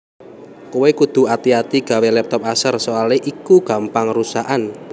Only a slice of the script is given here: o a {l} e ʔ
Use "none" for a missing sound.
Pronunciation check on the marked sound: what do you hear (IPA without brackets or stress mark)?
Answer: l